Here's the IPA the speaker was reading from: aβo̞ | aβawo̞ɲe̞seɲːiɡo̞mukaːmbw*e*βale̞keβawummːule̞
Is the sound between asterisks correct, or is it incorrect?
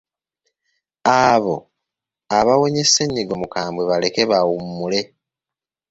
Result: correct